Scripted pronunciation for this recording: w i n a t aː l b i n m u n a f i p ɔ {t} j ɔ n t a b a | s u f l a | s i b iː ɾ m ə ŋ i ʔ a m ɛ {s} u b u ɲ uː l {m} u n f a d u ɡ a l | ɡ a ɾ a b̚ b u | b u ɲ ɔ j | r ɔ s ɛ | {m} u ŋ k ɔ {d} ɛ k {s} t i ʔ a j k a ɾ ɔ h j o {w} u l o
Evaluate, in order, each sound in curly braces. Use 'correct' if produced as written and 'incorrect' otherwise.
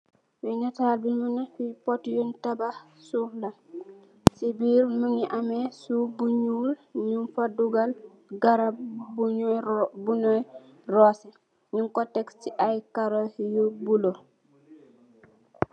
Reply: correct, correct, incorrect: ɲ, incorrect: ɲ, incorrect: t, correct, incorrect: b

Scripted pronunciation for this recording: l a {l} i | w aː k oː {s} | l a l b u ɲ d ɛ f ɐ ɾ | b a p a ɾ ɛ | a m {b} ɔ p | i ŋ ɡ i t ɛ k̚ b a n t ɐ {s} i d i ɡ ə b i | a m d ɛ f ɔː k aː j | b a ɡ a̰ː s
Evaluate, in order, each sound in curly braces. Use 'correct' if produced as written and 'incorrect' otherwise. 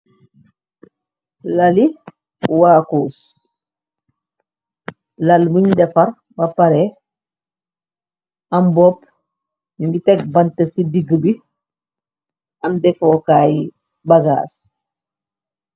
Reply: correct, correct, correct, correct

